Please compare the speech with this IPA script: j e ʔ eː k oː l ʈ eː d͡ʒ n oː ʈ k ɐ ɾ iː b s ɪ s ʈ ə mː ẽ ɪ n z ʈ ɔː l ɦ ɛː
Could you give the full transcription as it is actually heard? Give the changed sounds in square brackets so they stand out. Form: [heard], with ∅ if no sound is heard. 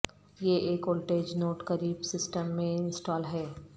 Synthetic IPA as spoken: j e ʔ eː k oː l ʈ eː d͡ʒ n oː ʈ k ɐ ɾ iː b s ɪ s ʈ ə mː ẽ ɪ n [s] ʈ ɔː l ɦ ɛː